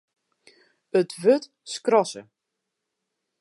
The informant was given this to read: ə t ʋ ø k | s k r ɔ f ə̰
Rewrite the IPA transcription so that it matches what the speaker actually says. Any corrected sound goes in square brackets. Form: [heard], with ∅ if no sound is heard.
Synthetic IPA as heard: ə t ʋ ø [t] | s k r ɔ [s] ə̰